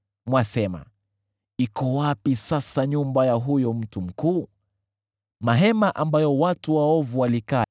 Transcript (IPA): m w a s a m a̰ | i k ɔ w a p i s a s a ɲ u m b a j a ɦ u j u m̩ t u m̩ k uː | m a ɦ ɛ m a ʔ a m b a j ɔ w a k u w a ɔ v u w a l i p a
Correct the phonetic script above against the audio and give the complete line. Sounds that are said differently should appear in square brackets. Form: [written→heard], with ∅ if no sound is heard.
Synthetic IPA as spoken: m w a s [a→ɛ] m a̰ | i k ɔ w a p i s a s a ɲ u m b a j a ɦ u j [u→ɔ] m̩ t u m̩ k uː | m a ɦ ɛ m a ʔ a m b a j ɔ w a [k→t] u w a ɔ v u w a l i [p→k] a